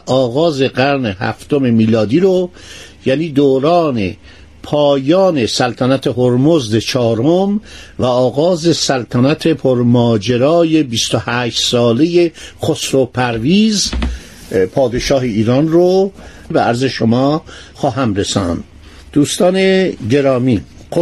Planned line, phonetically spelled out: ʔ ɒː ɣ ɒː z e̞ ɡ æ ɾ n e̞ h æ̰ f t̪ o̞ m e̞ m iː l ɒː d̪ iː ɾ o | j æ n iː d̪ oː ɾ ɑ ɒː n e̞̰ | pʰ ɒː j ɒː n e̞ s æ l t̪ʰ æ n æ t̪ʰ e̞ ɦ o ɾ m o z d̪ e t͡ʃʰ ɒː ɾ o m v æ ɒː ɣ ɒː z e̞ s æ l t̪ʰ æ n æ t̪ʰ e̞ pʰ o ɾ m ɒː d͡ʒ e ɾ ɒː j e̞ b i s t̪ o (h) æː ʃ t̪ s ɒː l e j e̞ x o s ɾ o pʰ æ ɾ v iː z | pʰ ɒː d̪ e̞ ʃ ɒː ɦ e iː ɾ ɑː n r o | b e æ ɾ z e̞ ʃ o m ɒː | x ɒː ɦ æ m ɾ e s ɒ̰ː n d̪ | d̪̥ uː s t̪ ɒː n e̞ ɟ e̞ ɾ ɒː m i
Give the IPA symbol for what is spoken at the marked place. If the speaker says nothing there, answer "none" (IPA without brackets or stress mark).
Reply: h